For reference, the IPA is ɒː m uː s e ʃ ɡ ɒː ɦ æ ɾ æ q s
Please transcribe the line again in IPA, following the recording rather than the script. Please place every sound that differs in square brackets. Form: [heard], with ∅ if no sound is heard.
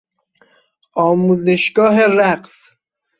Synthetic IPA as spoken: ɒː m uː [z] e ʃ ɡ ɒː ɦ [e] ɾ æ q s